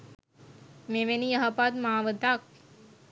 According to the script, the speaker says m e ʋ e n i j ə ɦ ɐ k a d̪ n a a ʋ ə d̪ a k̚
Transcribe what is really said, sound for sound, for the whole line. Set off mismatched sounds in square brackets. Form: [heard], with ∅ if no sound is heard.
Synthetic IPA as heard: m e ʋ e n i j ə ɦ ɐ [p] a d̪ [m] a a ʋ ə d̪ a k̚